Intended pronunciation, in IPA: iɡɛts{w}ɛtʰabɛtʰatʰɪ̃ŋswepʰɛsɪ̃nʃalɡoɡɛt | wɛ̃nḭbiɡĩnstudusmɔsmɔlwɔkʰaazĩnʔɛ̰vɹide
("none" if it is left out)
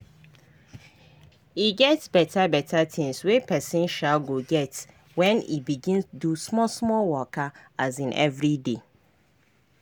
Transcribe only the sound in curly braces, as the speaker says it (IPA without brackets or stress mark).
b